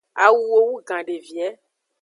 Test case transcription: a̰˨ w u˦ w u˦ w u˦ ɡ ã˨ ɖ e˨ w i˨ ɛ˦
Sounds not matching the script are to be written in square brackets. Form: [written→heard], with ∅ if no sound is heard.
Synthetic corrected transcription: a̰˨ w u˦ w [u˦→o˦] w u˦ ɡ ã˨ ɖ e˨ [w→v] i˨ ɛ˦